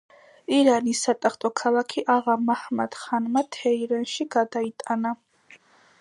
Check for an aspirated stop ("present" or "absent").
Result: present